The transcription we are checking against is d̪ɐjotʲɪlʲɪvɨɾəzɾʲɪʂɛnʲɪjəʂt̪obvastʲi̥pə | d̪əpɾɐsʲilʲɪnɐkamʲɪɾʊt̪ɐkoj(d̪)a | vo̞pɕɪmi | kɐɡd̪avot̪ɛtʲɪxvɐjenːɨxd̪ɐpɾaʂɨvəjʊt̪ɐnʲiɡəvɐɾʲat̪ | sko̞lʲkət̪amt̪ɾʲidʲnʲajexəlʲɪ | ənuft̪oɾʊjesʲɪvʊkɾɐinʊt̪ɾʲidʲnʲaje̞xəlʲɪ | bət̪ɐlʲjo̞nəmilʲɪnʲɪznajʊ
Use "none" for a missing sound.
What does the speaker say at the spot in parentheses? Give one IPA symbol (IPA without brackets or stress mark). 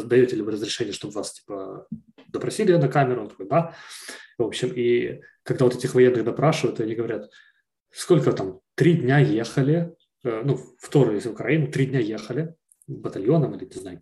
d̪